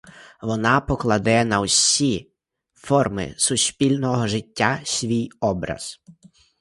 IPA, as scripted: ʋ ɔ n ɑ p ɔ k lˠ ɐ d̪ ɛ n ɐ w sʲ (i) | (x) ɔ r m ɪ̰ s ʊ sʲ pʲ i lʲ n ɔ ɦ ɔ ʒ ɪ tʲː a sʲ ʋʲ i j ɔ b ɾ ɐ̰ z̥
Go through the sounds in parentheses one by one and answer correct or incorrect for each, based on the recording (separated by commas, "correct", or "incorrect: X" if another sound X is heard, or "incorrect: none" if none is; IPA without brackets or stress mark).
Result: correct, incorrect: f